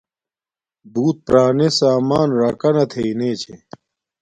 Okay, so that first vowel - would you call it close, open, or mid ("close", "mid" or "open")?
close